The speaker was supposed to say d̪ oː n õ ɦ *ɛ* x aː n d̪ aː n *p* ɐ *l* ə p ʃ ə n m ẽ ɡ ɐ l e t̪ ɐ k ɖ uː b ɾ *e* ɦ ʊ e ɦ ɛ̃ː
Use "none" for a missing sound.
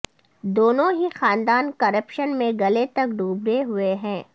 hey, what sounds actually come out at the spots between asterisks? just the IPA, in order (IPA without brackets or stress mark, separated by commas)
i, k, ɾ, e